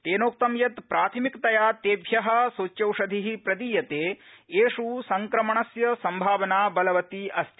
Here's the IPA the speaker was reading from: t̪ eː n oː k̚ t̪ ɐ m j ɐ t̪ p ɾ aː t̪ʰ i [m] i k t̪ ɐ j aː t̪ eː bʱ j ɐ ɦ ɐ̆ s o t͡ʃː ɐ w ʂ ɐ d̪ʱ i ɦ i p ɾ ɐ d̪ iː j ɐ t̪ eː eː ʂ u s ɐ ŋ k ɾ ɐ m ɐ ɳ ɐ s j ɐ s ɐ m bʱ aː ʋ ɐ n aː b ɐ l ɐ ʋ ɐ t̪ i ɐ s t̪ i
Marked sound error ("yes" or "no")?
no